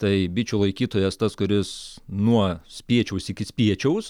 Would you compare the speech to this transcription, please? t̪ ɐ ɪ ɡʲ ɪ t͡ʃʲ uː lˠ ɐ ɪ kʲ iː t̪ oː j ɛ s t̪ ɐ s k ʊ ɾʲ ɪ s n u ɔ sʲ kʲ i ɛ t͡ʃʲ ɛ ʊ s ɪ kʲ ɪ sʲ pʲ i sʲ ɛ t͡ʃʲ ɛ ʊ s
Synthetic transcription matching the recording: t̪ ɐ ɪ bʲ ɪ t͡ʃʲ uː lˠ ɐ ɪ kʲ iː t̪ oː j ɛ s t̪ ɐ s k ʊ ɾʲ ɪ s n u ɔ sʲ pʲ i ɛ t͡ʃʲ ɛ ʊ s ɪ kʲ ɪ sʲ pʲ i ɛ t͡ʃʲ ɛ ʊ s